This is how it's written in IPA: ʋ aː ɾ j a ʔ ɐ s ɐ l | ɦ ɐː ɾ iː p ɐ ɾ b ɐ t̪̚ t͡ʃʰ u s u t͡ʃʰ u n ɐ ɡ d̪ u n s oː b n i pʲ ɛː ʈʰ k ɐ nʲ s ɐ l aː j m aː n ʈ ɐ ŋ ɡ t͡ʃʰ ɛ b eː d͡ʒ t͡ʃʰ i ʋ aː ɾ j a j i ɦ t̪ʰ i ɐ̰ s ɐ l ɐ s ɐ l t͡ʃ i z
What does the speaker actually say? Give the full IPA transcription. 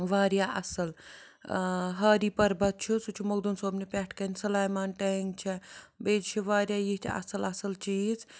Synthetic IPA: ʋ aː ɾ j a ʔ ɐ s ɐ l | ɦ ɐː ɾ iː p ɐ ɾ b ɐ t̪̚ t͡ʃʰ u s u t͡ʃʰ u m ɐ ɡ d̪ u n s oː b n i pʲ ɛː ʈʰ k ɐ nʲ s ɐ l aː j m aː n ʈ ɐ ŋ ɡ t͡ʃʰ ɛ b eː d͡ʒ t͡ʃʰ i ʋ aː ɾ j a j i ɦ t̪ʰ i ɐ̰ s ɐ l ɐ s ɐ l t͡ʃ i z

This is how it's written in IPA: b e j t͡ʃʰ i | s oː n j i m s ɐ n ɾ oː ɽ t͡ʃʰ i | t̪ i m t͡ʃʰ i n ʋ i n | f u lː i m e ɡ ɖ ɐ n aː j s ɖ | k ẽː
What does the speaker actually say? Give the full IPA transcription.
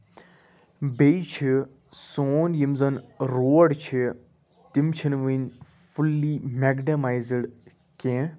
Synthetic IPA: b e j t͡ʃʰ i | s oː n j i m z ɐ n ɾ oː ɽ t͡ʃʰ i | t̪ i m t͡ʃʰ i n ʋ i n | f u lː i m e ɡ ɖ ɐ m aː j z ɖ | k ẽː

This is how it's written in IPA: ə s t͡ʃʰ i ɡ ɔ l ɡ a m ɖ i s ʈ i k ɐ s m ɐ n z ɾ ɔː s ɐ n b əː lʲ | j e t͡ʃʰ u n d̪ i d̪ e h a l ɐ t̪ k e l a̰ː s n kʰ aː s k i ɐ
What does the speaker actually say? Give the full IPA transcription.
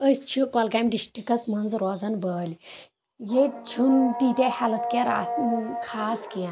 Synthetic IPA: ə s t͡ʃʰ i k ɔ l ɡ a m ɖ i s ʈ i k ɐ s m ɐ n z ɾ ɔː z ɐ n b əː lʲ | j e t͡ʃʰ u n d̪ i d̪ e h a l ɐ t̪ k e ɾ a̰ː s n kʰ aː s k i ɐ

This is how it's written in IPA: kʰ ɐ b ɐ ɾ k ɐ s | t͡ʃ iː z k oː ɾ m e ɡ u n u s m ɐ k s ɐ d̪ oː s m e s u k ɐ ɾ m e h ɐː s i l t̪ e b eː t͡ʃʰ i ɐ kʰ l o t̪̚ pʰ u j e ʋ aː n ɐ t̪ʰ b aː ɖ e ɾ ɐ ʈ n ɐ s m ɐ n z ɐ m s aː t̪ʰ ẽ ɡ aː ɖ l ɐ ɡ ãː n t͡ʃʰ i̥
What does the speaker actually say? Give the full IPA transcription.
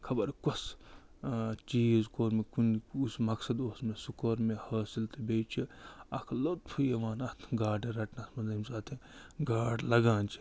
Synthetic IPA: kʰ ɐ b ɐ ɾ k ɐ s | t͡ʃ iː z k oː ɾ m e k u n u s m ɐ k s ɐ d̪ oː s m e s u k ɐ ɾ m e h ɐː s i l t̪ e b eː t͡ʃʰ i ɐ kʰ l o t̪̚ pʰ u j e ʋ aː n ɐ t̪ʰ ɡ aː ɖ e ɾ ɐ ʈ n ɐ s m ɐ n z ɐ m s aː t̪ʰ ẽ ɡ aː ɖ l ɐ ɡ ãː n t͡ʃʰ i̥

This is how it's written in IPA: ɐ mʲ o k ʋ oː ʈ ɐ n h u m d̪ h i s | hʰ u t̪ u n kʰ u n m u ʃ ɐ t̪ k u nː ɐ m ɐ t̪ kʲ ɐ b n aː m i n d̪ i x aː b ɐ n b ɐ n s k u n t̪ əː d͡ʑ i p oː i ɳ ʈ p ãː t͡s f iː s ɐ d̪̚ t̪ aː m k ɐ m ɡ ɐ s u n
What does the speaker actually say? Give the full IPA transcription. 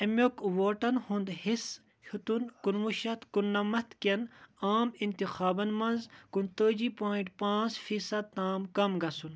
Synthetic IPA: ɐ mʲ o k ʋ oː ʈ ɐ n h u n d̪ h i s | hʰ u t̪ u n k u n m u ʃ ɐ t̪ k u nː ɐ m ɐ t̪ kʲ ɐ n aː m i n t̪ i x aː b ɐ n m ɐ n z k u n t̪ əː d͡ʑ i p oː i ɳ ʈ p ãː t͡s f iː s ɐ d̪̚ t̪ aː m k ɐ m ɡ ɐ s u n

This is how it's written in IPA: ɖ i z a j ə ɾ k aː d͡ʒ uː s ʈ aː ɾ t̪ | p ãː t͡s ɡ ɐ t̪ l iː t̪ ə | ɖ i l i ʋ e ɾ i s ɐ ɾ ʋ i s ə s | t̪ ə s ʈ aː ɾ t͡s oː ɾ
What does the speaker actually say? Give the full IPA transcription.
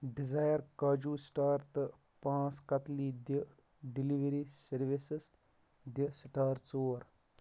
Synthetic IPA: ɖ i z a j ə ɾ k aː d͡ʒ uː s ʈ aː ɾ t̪ | p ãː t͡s k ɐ t̪ l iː d̪ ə | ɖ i l i ʋ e ɾ i s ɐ ɾ ʋ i s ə s | d̪ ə s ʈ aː ɾ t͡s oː ɾ

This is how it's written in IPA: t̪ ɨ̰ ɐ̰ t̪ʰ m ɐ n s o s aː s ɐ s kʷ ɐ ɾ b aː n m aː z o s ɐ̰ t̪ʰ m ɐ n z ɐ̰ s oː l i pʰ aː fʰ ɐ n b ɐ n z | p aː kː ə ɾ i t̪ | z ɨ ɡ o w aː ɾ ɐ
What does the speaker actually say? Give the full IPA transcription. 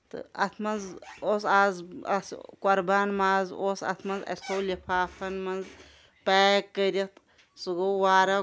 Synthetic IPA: t̪ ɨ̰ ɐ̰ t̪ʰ m ɐ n z o s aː z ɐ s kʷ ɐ ɾ b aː n m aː z o s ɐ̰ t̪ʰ m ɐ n z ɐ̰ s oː l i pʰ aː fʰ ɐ n m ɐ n z | p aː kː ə ɾ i t̪ | s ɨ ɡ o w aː ɾ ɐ

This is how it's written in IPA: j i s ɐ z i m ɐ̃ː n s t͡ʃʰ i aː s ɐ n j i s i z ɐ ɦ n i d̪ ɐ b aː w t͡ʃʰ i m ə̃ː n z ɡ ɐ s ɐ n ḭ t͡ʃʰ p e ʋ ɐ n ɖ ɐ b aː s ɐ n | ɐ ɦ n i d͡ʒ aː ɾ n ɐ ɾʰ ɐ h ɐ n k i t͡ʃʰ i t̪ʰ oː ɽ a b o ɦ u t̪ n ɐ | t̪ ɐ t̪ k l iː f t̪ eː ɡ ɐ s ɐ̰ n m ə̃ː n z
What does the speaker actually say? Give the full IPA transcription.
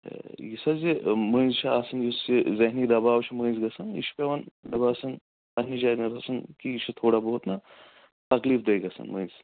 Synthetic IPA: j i s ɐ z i m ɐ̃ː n z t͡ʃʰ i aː s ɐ n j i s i z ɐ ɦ n i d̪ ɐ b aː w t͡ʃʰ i m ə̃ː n z ɡ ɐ s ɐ n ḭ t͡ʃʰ p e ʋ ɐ n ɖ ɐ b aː s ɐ n | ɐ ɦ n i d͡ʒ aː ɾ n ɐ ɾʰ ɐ s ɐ n k i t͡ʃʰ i t̪ʰ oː ɽ a b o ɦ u t̪ n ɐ | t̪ ɐ k l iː f d̪ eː ɡ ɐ s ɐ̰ n m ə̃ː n z

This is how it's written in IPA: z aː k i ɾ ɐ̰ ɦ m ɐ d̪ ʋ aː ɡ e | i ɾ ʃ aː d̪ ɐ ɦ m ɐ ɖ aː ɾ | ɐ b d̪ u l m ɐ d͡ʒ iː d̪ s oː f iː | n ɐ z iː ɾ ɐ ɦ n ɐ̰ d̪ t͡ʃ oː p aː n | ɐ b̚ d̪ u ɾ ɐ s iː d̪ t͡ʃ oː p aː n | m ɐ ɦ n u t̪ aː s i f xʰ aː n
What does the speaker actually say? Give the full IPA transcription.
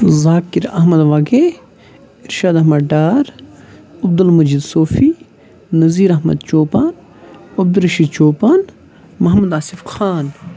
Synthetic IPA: z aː k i ɾ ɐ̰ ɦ m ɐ d̪ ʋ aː ɡ e | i ɾ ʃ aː d̪ ɐ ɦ m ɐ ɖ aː ɾ | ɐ b d̪ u l m ɐ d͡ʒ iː d̪ s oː f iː | n ɐ z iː ɾ ɐ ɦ m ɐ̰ d̪ t͡ʃ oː p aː n | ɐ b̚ d̪ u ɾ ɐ ʃ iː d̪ t͡ʃ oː p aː n | m ɐ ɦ m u d̪ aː s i f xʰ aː n

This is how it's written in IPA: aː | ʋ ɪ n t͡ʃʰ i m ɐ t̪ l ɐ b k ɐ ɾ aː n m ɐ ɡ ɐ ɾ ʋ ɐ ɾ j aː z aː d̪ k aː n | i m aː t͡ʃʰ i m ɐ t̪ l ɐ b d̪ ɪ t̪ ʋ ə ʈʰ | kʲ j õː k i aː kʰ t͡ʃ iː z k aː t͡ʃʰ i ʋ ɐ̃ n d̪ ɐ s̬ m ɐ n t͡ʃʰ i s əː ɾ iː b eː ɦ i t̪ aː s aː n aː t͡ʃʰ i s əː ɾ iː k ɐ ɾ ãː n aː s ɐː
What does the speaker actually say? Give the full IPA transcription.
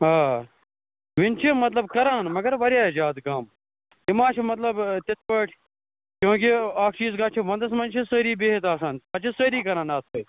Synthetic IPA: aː | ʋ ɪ n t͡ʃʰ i m ɐ t̪ l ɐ b k ɐ ɾ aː n m ɐ ɡ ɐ ɾ ʋ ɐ ɾ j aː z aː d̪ k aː m | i m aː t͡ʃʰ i m ɐ t̪ l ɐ b t̪ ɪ t̪ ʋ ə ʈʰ | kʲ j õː k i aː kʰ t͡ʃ iː z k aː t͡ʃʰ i ʋ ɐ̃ n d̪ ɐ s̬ m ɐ n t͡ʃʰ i s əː ɾ iː b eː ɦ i t̪ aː s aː n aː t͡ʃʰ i s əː ɾ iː k ɐ ɾ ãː n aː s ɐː

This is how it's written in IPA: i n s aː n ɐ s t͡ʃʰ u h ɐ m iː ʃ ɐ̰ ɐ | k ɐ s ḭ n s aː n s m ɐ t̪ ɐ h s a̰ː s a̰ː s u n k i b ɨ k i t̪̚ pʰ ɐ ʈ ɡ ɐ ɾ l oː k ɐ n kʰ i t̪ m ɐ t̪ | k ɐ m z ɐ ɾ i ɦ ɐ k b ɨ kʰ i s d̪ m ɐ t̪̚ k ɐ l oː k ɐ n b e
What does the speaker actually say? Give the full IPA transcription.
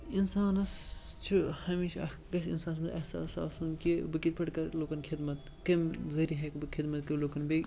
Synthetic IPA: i n s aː n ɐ s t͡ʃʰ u h ɐ m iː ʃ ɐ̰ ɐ | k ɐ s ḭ n s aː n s m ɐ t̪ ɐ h s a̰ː s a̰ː s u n k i b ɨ k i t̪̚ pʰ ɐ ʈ k ɐ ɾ l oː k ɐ n kʰ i d̪ m ɐ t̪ | k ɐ m z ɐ ɾ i ɦ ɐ k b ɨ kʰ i d̪ m ɐ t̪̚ k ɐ l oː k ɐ n b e

